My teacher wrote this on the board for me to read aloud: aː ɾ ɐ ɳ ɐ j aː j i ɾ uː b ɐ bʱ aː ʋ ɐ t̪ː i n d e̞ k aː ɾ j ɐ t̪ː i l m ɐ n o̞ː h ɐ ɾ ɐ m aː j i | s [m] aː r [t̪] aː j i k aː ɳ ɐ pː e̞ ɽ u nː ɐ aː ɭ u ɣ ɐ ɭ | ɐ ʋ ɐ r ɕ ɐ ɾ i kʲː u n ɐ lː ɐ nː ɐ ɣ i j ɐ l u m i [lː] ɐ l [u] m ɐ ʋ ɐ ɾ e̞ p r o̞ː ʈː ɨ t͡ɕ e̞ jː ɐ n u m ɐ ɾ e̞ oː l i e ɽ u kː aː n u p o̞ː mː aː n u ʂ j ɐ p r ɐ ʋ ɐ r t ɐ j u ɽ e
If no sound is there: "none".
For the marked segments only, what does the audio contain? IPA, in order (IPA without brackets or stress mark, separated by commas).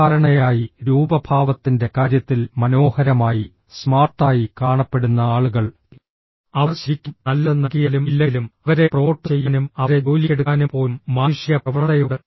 m, t̪, lː, u